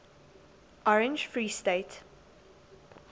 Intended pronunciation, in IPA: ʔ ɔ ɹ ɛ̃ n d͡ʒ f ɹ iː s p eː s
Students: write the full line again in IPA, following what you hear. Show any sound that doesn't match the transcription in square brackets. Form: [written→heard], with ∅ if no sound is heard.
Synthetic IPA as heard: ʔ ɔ ɹ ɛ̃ n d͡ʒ f ɹ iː s [p→t] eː [s→t]

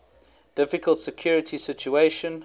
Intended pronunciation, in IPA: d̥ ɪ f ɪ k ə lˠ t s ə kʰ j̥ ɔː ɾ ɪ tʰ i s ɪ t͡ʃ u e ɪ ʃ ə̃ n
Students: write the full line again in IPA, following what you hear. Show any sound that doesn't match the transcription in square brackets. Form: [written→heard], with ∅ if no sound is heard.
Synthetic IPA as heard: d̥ ɪ f ɪ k ə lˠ t s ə kʰ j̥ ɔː [ɾ→ɹ] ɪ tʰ i s ɪ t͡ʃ u e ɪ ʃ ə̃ n

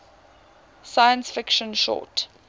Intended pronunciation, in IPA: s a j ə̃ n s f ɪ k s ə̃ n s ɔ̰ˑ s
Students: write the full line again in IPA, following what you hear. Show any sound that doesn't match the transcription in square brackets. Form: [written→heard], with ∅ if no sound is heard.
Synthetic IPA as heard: s a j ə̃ n s f ɪ k [s→ʃ] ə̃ n [s→ʃ] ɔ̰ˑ [s→t]

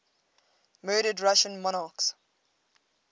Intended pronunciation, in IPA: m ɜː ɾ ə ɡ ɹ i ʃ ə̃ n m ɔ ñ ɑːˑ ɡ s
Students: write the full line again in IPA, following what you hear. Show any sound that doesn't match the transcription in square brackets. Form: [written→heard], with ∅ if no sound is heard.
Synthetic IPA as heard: m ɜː ɾ ə [ɡ→d] ɹ [i→a] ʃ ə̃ n m ɔ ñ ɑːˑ [ɡ→k] s

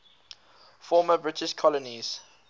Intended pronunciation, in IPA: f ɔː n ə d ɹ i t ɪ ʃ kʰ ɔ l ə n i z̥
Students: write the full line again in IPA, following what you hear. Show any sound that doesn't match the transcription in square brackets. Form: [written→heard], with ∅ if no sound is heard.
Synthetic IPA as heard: f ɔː [n→m] ə [d→b] ɹ [i→ɪ] t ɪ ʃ kʰ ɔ l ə n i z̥

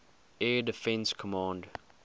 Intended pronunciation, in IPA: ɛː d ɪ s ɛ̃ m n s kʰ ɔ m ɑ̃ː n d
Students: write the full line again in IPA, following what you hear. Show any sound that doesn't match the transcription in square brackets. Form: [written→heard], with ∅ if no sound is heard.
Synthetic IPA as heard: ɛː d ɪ [s→f] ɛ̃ [m→∅] n s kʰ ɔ m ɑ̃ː n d

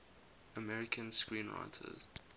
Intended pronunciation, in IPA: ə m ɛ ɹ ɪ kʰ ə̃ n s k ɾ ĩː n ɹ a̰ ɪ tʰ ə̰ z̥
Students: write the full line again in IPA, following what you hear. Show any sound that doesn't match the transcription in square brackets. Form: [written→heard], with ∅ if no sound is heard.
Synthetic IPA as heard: ə m ɛ ɹ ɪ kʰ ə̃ n s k [ɾ→ɹ] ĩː n ɹ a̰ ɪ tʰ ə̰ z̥

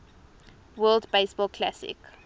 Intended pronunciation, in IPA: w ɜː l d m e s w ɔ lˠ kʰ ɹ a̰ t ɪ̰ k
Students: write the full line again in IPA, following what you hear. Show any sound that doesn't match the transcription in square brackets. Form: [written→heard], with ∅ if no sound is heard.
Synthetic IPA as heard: w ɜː l d [m→b] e s [w→b] ɔ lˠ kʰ [ɹ→l] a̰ [t→s] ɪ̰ k

